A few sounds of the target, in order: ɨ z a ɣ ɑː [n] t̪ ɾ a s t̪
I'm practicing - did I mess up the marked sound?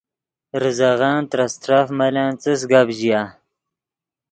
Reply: no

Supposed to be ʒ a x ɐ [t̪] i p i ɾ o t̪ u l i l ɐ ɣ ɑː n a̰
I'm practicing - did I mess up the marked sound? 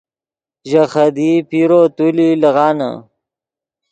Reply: yes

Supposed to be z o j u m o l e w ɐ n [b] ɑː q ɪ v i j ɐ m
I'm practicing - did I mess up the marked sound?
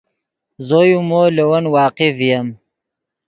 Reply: yes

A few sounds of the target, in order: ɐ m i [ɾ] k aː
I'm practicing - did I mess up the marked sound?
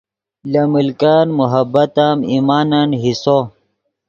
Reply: yes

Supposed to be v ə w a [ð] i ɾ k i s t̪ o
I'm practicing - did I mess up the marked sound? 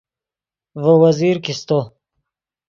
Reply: yes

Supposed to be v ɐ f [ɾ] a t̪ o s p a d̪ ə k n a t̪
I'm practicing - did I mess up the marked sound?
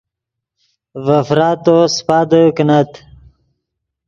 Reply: no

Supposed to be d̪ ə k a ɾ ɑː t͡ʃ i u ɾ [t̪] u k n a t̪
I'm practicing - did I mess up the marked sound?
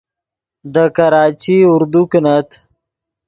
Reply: yes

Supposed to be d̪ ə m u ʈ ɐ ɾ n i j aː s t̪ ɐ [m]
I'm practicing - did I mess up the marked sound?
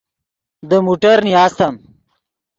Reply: no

